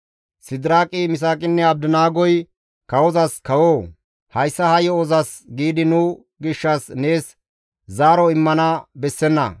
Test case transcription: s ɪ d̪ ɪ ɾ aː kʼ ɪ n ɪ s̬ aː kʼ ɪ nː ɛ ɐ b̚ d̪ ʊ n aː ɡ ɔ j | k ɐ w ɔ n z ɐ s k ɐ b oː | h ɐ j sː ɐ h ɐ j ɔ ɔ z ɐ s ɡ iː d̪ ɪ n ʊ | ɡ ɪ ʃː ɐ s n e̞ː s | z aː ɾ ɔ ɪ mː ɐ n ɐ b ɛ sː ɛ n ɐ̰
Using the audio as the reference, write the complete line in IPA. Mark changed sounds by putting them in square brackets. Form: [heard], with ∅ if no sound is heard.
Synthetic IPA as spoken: s ɪ d̪ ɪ ɾ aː kʼ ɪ [m] ɪ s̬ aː kʼ ɪ nː ɛ ɐ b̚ d̪ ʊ n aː ɡ ɔ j | k ɐ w ɔ [∅] z ɐ s k ɐ [w] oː | h ɐ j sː ɐ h ɐ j ɔ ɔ z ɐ s ɡ iː d̪ ɪ n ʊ | ɡ ɪ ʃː ɐ s n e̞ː s | z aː ɾ ɔ ɪ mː ɐ n ɐ b ɛ sː ɛ [nː] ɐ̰